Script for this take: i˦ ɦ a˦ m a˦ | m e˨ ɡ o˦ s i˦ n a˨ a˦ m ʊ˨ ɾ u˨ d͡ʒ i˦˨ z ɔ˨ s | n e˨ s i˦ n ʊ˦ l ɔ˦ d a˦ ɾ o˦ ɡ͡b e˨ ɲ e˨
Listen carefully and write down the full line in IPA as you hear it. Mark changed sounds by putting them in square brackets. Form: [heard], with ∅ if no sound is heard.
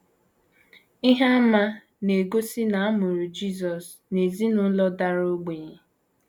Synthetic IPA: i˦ ɦ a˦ m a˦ | [n] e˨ ɡ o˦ s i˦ n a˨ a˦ m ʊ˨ ɾ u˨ d͡ʒ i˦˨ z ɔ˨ s | n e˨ [z] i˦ n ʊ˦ l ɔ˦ d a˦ ɾ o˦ ɡ͡b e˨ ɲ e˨